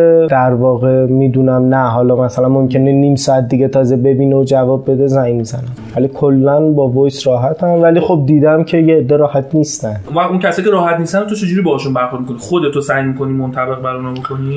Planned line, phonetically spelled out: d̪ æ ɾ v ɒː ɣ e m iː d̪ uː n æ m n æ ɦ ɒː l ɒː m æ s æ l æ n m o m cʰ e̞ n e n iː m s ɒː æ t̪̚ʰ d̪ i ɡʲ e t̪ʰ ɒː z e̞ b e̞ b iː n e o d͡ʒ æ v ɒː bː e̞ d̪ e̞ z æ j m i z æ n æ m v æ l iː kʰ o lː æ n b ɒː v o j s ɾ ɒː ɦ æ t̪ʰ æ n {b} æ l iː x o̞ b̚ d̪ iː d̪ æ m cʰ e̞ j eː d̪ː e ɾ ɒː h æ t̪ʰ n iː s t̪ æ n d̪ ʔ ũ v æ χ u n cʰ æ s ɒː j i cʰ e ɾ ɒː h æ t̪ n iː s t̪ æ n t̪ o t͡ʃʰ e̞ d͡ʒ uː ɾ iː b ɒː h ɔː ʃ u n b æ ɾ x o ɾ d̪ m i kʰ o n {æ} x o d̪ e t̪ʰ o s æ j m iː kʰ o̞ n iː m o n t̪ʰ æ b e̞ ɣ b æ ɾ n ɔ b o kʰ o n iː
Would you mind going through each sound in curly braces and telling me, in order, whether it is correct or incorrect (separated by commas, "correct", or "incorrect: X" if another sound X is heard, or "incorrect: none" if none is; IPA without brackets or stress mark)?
incorrect: v, incorrect: i